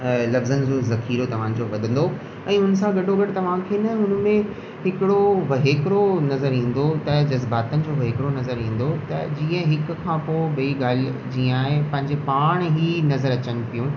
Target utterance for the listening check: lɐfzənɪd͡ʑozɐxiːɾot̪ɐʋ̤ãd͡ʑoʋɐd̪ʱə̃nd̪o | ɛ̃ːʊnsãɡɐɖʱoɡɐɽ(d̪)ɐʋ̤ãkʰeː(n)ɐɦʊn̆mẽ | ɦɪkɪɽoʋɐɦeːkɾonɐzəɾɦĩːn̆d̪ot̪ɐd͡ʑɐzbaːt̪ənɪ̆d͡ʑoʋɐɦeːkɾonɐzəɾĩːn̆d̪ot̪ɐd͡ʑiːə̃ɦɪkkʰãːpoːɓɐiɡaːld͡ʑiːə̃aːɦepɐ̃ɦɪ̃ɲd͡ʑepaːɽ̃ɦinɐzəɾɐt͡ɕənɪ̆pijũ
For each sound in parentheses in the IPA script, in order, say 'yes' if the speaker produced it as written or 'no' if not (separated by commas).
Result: no, yes